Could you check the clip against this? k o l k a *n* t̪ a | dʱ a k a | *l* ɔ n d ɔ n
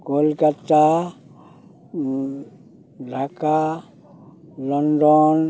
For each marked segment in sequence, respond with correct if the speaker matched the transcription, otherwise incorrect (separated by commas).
incorrect, correct